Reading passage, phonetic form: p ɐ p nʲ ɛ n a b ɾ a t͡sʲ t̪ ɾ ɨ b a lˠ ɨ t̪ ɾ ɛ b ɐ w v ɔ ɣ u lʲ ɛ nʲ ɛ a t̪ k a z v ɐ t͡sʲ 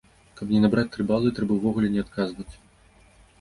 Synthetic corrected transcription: k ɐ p nʲ ɛ n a b ɾ a t͡sʲ t̪ ɾ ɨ b a lˠ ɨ t̪ ɾ ɛ b ɐ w v ɔ ɣ u lʲ ɛ nʲ ɛ a t̪ k a z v ɐ t͡sʲ